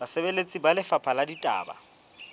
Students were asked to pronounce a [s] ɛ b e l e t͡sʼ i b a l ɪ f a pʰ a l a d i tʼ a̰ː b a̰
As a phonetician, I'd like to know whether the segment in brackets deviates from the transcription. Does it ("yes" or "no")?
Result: no